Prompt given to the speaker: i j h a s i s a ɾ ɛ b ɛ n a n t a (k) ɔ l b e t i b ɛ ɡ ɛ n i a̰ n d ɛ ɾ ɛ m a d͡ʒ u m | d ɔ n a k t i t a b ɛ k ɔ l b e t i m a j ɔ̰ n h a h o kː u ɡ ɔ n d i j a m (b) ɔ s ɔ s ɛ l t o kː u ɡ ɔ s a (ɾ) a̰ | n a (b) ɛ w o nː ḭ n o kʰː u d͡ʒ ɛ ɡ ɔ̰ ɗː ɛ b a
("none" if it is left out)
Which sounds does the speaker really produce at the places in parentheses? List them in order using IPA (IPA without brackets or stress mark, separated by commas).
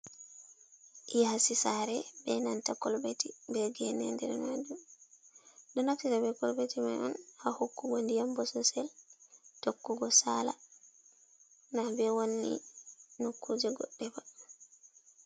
k, b, l, b